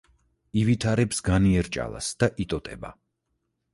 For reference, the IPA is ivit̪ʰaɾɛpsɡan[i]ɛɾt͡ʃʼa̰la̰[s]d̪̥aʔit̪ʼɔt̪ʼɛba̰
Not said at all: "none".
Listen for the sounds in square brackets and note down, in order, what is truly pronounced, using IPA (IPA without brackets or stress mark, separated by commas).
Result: i, s